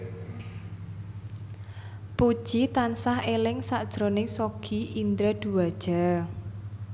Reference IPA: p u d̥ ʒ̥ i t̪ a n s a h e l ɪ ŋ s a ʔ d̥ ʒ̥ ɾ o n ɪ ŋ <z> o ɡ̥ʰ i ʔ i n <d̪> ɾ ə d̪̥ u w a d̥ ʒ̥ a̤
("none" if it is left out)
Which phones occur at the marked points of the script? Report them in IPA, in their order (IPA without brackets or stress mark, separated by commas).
s, d̪